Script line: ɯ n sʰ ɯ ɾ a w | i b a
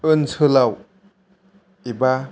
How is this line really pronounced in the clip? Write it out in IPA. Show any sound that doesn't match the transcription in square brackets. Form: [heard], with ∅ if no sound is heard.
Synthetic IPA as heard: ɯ n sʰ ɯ [l] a w | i b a